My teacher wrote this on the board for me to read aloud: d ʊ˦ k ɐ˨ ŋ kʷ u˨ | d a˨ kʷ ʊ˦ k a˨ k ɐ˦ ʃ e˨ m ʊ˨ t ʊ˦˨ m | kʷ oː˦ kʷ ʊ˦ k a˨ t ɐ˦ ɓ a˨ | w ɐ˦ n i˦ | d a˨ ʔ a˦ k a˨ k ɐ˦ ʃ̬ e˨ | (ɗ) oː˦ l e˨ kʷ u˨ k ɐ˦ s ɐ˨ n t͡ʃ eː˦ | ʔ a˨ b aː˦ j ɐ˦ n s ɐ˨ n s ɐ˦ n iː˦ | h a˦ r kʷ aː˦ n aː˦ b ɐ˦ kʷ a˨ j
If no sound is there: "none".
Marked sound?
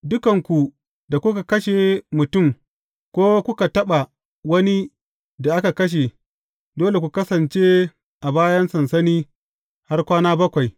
d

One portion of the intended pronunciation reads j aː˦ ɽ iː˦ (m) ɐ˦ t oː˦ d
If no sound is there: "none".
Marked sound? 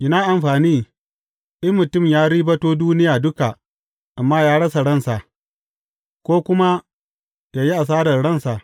b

